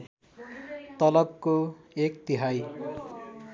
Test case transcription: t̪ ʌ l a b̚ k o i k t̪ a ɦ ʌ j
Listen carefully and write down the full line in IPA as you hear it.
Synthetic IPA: t̪ ʌ l ʌ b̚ k o e k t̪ i ɦ a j